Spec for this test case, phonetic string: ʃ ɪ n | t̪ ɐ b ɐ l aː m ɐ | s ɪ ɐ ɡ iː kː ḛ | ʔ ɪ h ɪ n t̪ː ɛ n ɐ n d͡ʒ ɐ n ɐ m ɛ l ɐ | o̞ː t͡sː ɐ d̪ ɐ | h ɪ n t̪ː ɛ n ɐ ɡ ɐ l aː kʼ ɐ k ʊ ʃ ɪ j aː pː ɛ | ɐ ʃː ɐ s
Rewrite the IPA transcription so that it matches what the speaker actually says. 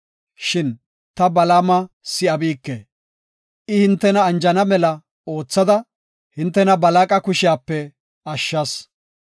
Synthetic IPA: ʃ ɪ n | t̪ ɐ b ɐ l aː m ɐ | s ɪ ɐ b iː kː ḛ | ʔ ɪ h ɪ n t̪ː ɛ n ɐː n d͡ʒ ɐ n ɐ m ɛ l ɐ | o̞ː t͡sː ɐ d̪ ɐ | h ɪ n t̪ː ɛ n ɐ b ɐ l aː kʼ ɐ k ʊ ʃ ɪ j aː pː ɛ | ɐ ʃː ɐ s